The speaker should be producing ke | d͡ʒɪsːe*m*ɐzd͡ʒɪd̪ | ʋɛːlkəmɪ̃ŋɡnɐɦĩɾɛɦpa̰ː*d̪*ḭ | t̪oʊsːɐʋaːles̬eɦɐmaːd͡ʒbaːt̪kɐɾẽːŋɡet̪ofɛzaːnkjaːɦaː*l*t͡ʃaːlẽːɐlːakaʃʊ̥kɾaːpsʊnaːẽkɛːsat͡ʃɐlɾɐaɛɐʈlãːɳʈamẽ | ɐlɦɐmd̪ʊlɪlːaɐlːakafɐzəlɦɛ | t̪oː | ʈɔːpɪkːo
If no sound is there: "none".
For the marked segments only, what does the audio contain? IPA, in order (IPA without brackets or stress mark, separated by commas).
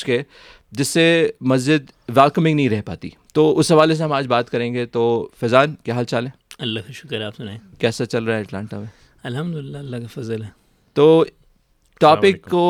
m, t̪, l